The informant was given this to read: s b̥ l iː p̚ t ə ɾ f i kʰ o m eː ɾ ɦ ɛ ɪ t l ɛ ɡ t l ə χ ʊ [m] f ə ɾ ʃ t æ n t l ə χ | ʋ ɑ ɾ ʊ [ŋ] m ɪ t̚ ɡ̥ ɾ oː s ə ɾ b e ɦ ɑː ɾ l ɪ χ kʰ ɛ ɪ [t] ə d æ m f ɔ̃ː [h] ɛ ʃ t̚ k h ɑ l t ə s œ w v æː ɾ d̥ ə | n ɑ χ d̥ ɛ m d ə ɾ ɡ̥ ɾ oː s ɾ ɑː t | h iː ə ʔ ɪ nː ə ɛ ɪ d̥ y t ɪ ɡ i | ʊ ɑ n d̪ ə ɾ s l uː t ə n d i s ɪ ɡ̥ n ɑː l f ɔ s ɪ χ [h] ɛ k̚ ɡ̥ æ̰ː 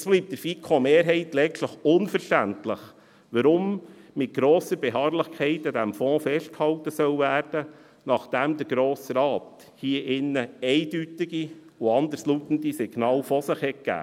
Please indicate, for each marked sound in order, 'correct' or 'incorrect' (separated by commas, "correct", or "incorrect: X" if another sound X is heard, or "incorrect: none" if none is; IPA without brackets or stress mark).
incorrect: n, incorrect: m, correct, incorrect: f, correct